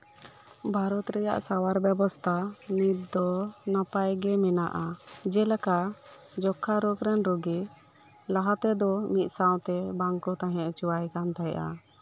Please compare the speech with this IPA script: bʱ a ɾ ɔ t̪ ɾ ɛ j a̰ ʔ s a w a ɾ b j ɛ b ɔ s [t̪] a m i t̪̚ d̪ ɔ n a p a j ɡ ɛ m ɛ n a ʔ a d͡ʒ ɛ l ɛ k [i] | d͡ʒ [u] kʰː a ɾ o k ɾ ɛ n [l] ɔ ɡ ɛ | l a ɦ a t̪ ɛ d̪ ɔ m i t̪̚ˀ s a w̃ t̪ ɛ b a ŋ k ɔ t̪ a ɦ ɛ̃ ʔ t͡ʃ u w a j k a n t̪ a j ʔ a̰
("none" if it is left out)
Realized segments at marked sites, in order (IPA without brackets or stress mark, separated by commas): t̪ʰ, a, ɔ, ɾ